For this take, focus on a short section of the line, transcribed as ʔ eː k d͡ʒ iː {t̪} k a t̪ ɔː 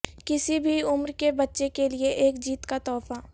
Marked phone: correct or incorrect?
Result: correct